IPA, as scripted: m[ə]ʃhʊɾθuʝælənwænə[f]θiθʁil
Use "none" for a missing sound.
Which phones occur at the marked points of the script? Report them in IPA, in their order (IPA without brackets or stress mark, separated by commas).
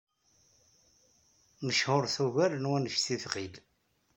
ə, ʃ